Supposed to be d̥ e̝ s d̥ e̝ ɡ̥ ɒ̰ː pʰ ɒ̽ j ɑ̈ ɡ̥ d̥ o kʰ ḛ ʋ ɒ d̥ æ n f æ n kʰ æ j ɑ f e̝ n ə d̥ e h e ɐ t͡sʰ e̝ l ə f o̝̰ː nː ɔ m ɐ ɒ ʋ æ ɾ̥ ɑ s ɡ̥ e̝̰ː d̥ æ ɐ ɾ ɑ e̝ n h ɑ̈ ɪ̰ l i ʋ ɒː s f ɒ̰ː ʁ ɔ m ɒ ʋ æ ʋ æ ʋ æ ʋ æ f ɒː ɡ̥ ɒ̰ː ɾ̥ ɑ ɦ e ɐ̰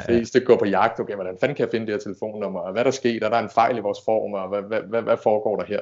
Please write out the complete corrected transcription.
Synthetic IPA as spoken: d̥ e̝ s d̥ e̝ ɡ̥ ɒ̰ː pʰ ɒ̽ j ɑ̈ ɡ̥ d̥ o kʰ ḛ ʋ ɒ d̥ æ n f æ n kʰ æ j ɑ f e̝ n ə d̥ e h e ɐ t͡sʰ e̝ l ə f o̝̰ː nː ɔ m ɐ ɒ ʋ æ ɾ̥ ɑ s ɡ̥ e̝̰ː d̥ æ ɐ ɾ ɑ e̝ n f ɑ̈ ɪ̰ l i ʋ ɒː s f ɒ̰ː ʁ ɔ m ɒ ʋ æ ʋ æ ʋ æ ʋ æ f ɒː ɡ̥ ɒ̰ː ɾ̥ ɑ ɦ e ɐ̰